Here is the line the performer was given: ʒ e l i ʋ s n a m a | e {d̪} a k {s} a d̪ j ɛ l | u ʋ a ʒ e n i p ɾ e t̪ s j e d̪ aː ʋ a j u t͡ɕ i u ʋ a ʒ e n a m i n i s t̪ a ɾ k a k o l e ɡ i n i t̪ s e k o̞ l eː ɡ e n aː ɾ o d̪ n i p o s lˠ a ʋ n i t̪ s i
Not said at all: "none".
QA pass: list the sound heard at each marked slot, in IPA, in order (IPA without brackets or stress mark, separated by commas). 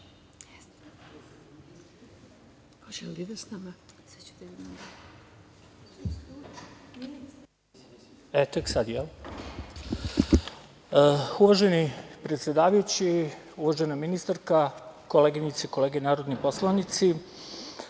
t̪, s